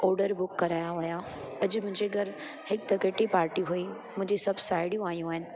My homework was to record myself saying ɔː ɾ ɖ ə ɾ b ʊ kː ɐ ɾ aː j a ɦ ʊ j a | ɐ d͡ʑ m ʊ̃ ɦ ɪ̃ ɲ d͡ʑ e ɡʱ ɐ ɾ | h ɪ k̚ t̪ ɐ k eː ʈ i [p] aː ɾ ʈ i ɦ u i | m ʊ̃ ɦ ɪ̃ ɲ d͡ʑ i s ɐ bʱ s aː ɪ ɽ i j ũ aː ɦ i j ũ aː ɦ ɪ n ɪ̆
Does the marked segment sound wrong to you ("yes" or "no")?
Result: no